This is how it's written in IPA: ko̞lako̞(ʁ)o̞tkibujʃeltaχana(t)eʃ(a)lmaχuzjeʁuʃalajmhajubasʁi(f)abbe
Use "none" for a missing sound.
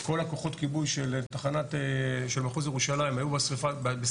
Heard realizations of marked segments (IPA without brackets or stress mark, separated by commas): χ, t, e, f